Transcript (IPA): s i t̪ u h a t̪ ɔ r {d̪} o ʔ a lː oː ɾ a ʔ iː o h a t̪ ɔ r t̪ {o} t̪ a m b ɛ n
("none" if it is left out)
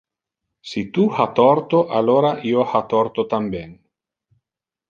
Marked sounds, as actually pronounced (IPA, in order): t̪, o

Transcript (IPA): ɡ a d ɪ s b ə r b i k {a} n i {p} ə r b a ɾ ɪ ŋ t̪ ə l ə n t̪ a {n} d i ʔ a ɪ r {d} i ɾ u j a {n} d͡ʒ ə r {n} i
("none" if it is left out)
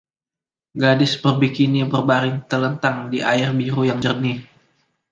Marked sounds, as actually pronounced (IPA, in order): i, b, ŋ, b, ŋ, n

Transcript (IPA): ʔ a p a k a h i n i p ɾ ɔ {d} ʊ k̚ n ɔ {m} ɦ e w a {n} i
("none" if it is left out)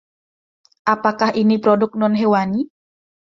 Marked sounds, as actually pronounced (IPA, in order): d, n, n

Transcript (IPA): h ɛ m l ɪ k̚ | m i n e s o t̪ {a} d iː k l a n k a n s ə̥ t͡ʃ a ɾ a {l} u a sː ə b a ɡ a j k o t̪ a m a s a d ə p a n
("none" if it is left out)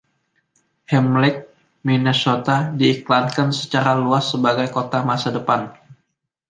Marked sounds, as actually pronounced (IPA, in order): a, l

